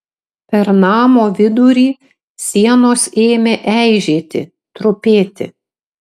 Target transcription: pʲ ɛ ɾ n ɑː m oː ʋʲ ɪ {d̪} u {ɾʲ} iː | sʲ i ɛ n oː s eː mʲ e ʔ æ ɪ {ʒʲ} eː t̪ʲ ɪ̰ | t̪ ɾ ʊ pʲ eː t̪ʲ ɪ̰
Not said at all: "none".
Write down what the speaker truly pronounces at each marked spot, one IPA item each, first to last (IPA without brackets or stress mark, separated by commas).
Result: d̪, ɾʲ, ʒʲ